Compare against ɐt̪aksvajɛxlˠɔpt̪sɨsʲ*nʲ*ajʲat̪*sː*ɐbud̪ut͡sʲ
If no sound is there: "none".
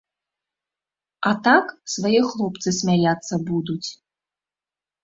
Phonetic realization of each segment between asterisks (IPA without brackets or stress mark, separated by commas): mʲ, sː